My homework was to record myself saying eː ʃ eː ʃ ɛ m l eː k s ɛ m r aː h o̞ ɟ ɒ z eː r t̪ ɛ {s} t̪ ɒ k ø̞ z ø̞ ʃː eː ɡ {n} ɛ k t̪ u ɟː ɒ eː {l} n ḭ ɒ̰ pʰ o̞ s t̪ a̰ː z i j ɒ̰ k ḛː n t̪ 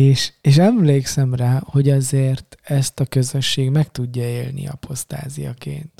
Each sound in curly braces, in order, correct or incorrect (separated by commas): correct, incorrect, correct